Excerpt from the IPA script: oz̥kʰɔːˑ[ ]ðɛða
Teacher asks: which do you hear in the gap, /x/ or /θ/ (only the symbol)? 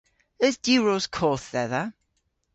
θ